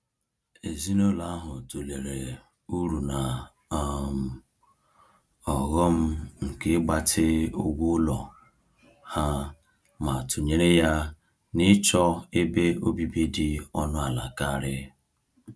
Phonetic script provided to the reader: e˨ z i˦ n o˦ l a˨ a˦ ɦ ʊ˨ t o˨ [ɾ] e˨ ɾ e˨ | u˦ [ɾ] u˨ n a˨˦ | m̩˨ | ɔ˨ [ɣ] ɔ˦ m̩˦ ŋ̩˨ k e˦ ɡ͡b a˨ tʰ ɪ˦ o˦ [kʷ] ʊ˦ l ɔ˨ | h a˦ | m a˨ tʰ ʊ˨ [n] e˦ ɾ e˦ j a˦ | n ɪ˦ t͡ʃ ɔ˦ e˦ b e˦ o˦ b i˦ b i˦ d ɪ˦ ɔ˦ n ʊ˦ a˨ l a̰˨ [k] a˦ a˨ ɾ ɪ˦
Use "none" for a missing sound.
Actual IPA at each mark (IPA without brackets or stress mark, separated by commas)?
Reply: l, ɾ, ɣ, ɡʷ, ɲ, k